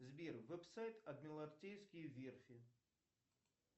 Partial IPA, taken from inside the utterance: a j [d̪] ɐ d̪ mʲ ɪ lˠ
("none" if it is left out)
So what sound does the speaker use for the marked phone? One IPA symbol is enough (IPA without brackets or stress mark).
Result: t̪